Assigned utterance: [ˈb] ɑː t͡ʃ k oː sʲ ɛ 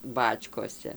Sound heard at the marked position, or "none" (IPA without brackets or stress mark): b